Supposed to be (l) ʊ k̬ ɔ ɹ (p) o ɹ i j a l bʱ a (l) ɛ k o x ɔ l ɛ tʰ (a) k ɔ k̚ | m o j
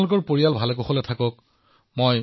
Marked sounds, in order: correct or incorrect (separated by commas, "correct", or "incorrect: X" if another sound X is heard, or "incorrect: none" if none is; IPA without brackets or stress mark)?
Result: correct, correct, correct, correct